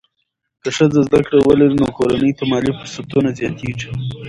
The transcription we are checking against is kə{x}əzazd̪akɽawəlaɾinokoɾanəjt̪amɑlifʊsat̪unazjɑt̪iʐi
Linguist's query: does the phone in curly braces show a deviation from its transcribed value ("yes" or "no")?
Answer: yes